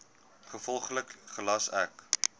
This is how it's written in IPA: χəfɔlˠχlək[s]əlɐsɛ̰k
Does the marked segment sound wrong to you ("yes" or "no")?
yes